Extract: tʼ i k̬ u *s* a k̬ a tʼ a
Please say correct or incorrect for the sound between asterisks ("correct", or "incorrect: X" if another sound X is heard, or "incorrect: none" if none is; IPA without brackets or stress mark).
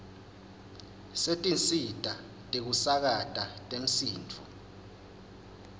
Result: correct